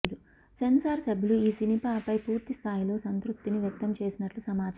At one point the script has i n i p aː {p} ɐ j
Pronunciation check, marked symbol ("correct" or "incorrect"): correct